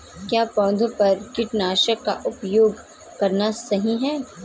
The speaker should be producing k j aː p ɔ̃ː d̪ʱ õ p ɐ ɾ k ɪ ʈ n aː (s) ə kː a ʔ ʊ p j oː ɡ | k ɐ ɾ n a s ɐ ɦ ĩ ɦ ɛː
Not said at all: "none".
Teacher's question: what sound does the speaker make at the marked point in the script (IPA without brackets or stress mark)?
ʃ